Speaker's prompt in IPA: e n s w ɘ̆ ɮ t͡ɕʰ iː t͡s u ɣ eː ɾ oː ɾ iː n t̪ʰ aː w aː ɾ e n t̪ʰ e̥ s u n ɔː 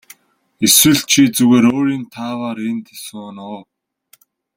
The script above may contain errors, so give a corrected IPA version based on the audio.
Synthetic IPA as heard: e s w ɘ̆ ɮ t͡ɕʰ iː t͡s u ɣ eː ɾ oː ɾ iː n t̪ʰ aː w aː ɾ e n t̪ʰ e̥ s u n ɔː